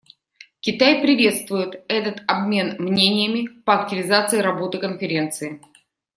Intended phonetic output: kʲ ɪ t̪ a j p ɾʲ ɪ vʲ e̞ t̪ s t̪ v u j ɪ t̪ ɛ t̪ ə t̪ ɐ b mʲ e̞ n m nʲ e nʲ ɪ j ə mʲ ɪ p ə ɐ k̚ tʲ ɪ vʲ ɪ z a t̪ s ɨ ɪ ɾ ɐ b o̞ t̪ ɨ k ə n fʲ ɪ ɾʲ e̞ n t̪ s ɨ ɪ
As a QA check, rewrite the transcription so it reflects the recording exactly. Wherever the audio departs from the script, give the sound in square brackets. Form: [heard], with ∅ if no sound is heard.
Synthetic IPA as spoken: kʲ ɪ t̪ a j p ɾʲ ɪ vʲ e̞ t̪ s t̪ v [ʊ] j ɪ t̪ ɛ t̪ ə t̪ ɐ b mʲ e̞ n m nʲ e nʲ ɪ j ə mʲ ɪ p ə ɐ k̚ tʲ ɪ vʲ ɪ z a t̪ s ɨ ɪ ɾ ɐ b o̞ t̪ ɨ k ə n fʲ ɪ ɾʲ e̞ n t̪ s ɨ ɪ